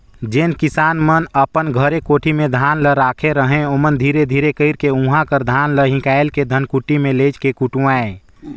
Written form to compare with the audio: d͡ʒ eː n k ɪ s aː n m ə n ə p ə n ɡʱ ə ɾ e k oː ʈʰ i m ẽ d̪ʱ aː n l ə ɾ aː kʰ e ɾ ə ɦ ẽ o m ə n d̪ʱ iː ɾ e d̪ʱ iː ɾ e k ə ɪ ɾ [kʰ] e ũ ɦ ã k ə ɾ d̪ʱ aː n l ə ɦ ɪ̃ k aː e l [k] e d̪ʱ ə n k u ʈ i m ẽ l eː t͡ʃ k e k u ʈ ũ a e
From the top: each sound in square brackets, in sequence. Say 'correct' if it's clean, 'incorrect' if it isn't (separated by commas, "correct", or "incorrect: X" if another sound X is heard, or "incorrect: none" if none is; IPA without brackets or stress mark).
incorrect: k, correct